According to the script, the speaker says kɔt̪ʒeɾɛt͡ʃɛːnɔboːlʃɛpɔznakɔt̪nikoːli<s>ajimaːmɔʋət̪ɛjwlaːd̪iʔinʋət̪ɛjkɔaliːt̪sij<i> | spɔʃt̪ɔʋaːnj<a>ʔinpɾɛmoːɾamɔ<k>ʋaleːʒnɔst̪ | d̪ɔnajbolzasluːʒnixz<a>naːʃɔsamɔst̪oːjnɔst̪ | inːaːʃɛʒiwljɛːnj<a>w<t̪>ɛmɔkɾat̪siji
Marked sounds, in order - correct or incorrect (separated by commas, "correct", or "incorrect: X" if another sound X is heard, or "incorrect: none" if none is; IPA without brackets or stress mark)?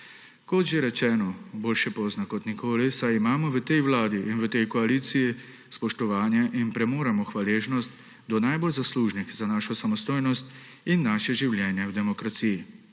correct, correct, incorrect: ɛ, incorrect: x, correct, incorrect: ɛ, incorrect: d̪